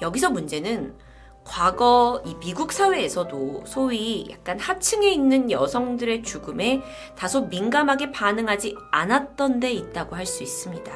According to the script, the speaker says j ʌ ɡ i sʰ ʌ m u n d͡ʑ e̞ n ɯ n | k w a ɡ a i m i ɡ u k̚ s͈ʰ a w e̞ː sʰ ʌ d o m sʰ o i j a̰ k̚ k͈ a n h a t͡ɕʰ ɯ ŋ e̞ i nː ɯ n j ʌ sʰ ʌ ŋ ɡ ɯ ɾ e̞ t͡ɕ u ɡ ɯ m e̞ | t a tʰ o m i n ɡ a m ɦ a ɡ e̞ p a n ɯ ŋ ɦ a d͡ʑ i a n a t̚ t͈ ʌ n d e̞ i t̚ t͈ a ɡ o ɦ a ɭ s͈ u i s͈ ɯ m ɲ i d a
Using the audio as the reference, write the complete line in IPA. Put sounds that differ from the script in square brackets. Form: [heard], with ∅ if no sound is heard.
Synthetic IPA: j ʌ ɡ i sʰ ʌ m u n d͡ʑ e̞ n ɯ n | k w a ɡ [ʌ] i m i ɡ u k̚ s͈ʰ a w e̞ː sʰ ʌ d o [∅] sʰ o i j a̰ k̚ k͈ a n h a t͡ɕʰ ɯ ŋ e̞ i nː ɯ n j ʌ sʰ ʌ ŋ [d] ɯ ɾ e̞ t͡ɕ u ɡ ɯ m e̞ | t a [sʰ] o m i n ɡ a m ɦ a ɡ e̞ p a n ɯ ŋ ɦ a d͡ʑ i a n a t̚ t͈ ʌ n d e̞ i t̚ t͈ a ɡ o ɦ a ɭ s͈ u i s͈ ɯ m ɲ i d a